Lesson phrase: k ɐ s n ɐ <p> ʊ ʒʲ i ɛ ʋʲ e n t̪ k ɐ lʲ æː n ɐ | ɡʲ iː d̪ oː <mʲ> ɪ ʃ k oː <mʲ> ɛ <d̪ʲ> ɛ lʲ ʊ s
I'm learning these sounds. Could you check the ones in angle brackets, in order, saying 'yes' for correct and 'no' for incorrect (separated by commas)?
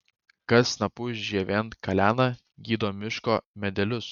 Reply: yes, yes, yes, yes